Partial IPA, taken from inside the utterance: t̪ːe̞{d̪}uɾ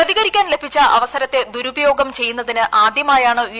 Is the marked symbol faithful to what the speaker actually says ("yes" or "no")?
yes